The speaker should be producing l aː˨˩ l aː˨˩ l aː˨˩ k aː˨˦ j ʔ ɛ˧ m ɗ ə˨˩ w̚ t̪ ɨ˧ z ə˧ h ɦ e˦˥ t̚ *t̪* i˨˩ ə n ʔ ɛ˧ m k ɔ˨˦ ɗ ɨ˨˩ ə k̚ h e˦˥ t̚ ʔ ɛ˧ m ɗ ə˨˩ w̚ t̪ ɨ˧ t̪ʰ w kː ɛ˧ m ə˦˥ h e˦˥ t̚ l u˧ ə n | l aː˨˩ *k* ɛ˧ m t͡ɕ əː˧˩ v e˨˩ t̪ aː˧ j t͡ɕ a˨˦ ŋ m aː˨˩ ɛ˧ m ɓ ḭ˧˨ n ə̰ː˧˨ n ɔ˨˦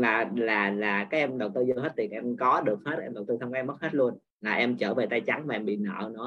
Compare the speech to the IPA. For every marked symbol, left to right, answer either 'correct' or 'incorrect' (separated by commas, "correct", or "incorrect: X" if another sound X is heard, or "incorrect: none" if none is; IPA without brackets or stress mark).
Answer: correct, incorrect: ʔ